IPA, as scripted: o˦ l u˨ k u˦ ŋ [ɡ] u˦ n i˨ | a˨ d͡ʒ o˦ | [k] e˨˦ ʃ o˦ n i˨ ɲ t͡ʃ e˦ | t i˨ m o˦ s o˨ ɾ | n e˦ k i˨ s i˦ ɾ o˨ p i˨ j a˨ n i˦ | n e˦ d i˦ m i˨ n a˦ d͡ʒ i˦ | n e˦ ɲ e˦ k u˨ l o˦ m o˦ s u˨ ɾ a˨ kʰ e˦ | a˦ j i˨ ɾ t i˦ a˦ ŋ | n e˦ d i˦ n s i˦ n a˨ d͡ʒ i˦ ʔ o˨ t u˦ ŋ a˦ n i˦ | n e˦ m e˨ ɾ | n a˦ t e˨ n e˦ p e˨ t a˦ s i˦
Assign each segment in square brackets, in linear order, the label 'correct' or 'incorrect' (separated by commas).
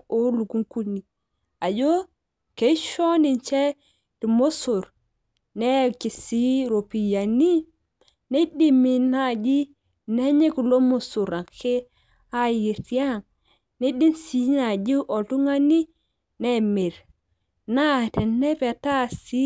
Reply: incorrect, correct